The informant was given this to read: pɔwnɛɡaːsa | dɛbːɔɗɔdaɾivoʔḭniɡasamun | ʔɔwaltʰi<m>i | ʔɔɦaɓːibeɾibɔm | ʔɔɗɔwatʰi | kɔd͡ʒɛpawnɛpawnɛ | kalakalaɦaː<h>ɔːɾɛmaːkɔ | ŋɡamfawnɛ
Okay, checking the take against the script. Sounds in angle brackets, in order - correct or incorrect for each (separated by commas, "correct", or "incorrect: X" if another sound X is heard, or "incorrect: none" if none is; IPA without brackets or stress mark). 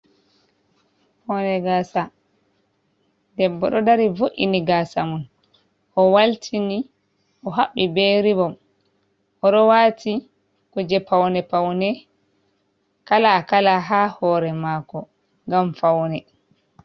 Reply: incorrect: n, correct